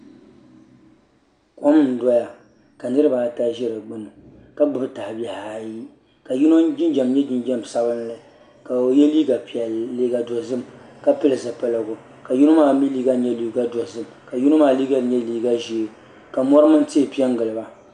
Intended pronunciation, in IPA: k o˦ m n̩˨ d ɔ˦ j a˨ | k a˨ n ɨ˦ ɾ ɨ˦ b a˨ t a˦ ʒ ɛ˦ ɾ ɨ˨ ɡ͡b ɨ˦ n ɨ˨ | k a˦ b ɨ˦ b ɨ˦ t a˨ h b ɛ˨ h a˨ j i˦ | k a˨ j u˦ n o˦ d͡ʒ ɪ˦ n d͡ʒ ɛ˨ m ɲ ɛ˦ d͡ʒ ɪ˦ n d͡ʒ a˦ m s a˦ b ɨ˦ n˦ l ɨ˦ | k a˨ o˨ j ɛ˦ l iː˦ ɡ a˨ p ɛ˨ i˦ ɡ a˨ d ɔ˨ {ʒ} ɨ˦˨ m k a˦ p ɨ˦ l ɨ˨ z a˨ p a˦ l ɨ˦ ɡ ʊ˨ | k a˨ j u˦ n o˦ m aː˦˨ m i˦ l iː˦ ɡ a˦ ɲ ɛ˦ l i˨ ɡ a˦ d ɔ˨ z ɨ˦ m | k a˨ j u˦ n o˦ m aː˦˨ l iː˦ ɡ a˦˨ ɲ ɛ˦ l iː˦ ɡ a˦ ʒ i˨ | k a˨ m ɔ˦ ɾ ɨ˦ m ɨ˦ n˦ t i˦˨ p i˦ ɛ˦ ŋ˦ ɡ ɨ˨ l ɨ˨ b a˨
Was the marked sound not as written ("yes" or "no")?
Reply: yes